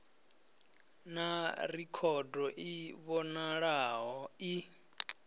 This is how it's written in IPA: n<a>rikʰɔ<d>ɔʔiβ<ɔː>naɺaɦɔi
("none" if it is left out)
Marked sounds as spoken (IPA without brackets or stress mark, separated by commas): a, d, ɔ